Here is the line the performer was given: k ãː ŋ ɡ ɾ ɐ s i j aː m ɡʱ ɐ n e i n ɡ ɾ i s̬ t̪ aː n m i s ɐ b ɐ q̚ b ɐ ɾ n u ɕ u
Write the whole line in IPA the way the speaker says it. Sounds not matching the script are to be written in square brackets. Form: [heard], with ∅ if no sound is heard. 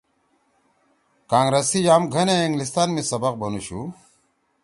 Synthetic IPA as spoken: k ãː ŋ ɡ ɾ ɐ s i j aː m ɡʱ ɐ n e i [ŋ] ɡ [l] i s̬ t̪ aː n m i s ɐ b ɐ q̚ b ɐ [∅] n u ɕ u